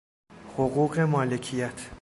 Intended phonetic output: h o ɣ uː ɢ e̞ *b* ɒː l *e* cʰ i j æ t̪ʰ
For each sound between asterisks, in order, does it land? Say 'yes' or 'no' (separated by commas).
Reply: no, yes